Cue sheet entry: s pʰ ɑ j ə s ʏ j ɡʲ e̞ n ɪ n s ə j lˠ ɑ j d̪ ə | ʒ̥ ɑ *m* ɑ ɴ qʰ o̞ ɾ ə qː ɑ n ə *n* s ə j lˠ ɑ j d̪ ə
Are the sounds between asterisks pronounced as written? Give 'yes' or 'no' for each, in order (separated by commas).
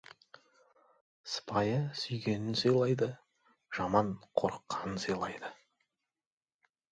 yes, yes